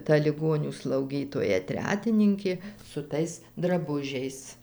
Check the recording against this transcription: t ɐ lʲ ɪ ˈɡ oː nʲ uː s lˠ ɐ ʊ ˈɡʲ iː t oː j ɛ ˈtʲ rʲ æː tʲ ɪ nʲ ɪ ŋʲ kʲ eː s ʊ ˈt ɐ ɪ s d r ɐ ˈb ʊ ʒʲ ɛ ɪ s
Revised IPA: t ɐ lʲ ɪ ˈɡ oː nʲ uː s lˠ ɐ ʊ ˈɡʲ iː t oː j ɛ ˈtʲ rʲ æː tʲ ɪ nʲ ɪ ŋʲ kʲ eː s ʊ ˈt ɐ ɪ s d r ɐ ˈb ʊ ʒʲ ɛ ɪ s